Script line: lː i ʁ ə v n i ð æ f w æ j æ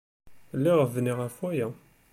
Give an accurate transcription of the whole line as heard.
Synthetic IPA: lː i ʁ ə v n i ʁ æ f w æ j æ